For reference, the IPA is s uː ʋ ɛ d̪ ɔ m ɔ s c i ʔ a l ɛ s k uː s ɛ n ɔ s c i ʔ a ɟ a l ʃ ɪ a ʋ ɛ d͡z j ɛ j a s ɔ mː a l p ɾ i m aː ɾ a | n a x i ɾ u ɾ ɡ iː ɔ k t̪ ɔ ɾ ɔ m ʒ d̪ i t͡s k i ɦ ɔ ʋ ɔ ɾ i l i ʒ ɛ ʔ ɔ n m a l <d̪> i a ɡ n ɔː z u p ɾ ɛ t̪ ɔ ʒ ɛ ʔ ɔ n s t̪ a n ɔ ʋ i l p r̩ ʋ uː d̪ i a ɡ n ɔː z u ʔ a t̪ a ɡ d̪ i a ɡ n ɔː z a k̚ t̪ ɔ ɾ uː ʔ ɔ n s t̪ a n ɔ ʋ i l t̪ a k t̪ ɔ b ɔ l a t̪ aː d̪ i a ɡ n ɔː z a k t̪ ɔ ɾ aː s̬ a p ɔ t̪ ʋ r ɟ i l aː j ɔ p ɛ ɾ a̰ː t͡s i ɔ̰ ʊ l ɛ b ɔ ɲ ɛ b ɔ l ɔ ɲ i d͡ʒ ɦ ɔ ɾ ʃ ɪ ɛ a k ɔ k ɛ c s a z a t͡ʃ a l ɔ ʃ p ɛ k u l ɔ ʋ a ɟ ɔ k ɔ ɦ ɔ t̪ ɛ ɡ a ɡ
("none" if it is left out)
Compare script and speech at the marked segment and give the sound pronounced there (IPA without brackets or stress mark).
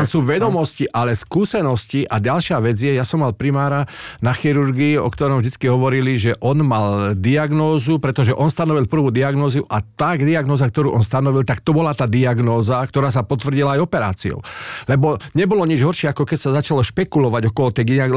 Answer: d̪